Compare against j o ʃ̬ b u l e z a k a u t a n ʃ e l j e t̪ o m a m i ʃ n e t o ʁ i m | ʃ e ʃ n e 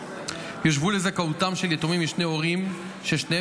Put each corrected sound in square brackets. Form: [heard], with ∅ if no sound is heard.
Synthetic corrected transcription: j o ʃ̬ [v] u l e z a k a u t a [m] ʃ e l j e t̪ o m [i] m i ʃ n e [∅] o ʁ i m | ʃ e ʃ n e